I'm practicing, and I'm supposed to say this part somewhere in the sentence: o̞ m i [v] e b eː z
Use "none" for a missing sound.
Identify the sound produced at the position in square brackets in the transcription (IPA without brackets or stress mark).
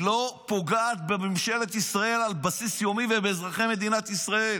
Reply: v